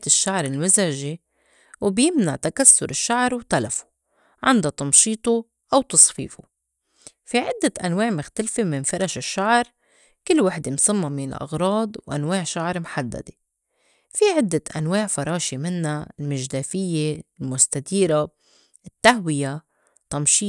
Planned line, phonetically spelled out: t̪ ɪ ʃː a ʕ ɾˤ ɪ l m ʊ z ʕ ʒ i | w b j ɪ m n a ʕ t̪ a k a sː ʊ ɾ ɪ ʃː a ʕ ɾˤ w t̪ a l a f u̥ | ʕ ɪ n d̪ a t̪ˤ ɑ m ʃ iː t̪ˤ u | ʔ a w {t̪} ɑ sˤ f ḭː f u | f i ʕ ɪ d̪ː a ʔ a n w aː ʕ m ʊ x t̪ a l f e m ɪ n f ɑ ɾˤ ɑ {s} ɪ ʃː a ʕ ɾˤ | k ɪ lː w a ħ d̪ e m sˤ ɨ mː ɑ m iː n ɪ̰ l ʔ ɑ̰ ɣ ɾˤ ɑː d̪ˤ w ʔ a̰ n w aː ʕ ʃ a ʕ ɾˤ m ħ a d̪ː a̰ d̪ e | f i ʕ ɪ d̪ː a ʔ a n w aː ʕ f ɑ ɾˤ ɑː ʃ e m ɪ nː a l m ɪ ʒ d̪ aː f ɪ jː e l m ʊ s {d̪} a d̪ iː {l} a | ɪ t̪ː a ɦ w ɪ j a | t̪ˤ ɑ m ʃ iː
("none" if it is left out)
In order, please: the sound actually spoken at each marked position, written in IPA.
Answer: t̪, ʃ, t̪, ɾ

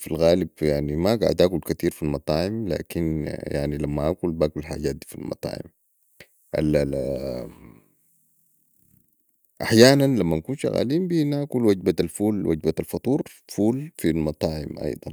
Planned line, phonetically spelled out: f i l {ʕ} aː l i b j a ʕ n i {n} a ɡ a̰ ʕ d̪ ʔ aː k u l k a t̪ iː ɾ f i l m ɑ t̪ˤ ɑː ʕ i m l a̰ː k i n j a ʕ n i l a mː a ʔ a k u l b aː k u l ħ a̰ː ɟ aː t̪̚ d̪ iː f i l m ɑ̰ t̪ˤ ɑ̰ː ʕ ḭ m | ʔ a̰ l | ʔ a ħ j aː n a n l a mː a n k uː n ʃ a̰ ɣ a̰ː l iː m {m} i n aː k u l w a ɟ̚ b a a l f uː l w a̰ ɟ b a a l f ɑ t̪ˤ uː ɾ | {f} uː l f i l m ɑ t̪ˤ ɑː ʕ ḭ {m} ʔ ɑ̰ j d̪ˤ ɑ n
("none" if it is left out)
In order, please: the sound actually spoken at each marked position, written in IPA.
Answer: ɣ, m, b, f, m

